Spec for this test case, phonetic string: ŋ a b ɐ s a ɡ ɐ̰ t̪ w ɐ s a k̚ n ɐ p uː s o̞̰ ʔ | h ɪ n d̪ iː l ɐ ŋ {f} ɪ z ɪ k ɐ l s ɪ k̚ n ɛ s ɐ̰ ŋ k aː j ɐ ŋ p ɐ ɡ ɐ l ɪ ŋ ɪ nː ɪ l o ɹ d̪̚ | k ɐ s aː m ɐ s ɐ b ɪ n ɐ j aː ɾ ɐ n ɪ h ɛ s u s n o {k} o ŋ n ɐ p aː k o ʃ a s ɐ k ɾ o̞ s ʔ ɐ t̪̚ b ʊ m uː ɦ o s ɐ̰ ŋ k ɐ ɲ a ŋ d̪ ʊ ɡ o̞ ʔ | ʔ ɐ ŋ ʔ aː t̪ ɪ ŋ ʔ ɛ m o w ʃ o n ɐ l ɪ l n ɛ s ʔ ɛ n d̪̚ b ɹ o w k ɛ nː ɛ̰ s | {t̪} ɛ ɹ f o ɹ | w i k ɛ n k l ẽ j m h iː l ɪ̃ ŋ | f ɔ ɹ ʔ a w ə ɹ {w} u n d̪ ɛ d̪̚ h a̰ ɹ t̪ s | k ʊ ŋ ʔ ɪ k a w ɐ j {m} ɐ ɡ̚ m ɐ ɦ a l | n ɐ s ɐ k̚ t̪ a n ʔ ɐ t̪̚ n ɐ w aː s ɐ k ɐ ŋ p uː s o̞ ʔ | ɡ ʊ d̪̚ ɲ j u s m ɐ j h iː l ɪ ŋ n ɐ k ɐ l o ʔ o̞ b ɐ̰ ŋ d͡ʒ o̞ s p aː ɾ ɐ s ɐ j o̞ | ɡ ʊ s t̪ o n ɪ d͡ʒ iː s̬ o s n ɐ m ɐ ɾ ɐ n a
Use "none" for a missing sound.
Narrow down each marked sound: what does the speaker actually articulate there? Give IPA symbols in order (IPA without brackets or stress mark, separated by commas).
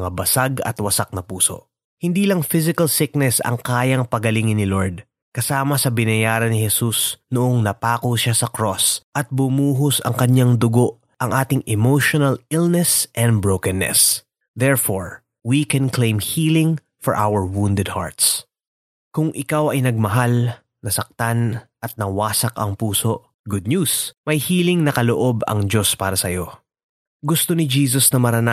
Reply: f, ʔ, d̪, w, n